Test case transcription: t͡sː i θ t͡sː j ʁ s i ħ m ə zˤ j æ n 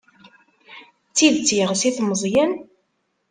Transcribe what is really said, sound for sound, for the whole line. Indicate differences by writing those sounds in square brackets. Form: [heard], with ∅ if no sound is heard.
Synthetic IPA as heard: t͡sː i [ð] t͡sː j ʁ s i [θ] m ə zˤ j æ n